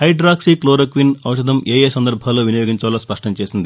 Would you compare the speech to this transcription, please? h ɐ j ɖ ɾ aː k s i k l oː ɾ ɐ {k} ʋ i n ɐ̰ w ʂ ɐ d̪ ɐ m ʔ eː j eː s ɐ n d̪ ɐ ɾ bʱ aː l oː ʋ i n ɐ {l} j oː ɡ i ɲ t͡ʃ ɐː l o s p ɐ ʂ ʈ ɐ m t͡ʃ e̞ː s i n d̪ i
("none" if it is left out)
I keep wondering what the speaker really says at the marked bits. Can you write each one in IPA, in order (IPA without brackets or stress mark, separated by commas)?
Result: k, none